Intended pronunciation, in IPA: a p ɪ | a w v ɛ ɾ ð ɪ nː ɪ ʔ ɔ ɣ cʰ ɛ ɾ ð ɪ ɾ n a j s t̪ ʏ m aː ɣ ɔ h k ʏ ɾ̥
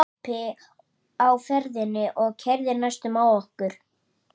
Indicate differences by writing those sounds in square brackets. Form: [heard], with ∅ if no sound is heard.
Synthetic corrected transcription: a p ɪ | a w [f] ɛ ɾ ð ɪ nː ɪ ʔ ɔ ɣ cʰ ɛ ɾ ð ɪ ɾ n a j s t̪ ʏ m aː [w] ɔ h k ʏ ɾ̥